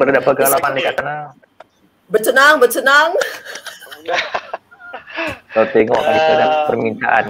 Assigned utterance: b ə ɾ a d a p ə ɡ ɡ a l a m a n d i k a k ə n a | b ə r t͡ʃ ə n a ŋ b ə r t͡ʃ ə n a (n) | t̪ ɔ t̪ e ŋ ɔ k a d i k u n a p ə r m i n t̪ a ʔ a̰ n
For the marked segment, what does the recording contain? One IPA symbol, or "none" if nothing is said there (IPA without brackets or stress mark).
ŋ